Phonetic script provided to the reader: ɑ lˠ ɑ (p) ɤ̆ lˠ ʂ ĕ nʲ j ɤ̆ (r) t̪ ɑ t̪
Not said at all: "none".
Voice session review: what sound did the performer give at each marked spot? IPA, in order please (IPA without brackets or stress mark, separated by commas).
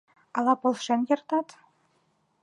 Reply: p, r